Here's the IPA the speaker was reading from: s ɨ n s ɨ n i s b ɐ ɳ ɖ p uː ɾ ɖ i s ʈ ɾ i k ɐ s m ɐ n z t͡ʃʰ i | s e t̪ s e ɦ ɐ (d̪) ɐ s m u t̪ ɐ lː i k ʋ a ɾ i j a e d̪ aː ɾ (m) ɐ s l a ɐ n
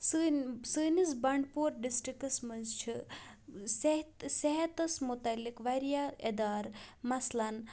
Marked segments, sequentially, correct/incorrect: incorrect, correct

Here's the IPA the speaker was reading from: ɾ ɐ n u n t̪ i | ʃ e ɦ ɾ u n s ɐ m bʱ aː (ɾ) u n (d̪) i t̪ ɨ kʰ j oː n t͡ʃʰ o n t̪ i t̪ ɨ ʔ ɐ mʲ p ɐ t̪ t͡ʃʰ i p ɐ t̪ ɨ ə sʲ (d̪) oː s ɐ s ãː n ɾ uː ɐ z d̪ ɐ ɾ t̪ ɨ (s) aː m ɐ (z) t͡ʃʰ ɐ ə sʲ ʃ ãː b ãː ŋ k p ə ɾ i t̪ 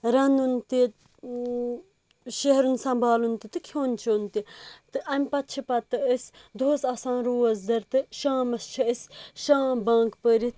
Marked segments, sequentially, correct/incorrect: incorrect, incorrect, correct, incorrect, incorrect

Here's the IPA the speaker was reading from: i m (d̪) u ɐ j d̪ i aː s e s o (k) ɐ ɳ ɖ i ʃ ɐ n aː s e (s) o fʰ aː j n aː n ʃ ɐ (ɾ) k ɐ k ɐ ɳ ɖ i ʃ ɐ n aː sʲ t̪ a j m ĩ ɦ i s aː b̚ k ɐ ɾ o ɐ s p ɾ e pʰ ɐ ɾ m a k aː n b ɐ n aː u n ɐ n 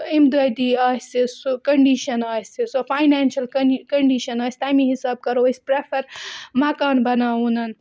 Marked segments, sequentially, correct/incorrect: correct, correct, correct, incorrect

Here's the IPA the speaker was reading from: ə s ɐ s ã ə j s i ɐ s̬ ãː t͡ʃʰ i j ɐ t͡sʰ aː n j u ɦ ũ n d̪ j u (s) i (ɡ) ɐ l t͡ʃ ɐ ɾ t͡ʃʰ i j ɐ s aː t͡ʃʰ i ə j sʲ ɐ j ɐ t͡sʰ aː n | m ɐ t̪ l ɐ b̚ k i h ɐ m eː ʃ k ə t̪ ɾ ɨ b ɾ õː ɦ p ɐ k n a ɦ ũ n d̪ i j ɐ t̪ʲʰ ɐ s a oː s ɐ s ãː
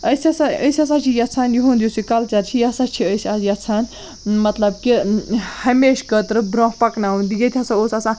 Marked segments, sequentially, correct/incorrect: correct, incorrect

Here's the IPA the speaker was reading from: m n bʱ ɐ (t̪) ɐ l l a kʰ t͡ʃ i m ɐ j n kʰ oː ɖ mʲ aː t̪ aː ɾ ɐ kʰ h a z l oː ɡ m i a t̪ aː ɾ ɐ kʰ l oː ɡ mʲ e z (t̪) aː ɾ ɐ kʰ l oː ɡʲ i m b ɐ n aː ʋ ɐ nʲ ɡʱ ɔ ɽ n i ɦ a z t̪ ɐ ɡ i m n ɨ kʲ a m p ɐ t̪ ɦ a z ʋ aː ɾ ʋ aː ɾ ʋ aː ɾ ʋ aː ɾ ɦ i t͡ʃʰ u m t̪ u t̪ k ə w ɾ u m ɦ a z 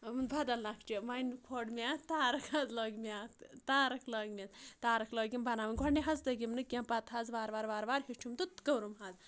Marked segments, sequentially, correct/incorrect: incorrect, correct

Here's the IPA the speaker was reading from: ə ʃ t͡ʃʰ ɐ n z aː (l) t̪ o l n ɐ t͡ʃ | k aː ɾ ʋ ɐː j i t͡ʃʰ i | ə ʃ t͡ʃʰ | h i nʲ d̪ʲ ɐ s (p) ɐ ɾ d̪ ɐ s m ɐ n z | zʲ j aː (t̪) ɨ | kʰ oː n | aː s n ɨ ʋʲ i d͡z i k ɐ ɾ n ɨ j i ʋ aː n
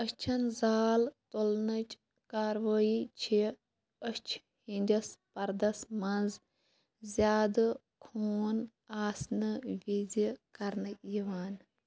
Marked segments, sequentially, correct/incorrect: correct, correct, incorrect

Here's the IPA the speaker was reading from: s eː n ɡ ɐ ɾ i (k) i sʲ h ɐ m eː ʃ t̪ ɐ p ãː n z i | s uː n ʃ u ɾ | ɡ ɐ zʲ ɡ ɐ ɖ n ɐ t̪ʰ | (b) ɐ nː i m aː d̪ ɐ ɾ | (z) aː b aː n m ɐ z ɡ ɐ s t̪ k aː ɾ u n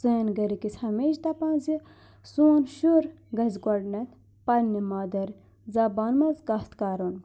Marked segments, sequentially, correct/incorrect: correct, incorrect, correct

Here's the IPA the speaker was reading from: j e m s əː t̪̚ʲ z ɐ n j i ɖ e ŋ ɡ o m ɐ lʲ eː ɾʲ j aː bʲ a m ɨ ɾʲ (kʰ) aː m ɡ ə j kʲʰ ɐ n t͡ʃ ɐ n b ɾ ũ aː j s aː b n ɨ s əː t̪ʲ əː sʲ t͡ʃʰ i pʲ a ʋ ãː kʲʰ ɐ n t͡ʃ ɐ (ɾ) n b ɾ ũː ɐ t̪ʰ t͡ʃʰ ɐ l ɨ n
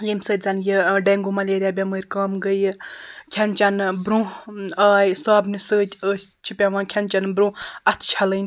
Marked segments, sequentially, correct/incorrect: incorrect, incorrect

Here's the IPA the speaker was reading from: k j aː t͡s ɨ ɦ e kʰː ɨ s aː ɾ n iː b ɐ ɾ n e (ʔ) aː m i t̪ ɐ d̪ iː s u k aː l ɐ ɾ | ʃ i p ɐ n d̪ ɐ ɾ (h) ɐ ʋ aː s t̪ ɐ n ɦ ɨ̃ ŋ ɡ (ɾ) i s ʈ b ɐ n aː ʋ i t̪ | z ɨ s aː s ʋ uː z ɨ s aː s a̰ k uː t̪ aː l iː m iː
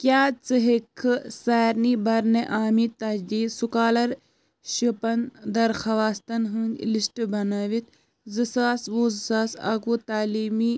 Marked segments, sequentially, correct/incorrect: correct, incorrect, incorrect

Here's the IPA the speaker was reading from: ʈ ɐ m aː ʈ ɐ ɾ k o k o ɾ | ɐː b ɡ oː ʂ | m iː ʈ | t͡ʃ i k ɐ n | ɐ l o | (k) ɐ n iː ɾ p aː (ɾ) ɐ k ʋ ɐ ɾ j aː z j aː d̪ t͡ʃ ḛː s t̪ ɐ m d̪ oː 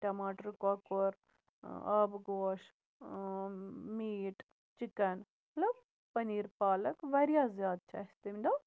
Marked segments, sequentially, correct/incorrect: incorrect, incorrect

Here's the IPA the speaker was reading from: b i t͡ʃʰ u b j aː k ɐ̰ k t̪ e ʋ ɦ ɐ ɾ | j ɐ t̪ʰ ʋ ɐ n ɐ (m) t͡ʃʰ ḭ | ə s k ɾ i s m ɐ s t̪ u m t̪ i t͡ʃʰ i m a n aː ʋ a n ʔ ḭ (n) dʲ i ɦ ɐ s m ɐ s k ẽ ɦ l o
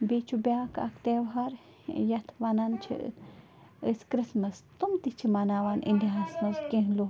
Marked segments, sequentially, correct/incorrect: incorrect, correct

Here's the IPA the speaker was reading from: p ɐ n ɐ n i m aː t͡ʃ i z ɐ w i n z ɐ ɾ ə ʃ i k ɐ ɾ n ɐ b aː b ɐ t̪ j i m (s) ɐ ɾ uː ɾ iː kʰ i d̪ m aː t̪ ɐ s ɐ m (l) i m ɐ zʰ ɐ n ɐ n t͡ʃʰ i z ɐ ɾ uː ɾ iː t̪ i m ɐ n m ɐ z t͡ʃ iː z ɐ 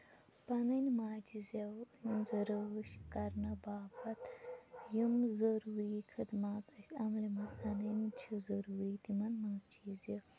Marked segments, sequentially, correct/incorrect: incorrect, correct

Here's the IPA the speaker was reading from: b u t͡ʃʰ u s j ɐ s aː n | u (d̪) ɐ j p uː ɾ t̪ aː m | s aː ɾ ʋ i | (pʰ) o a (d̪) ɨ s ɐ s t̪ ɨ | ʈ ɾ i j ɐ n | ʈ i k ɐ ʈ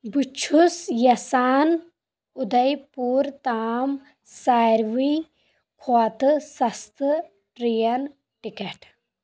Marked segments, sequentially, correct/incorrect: correct, incorrect, incorrect

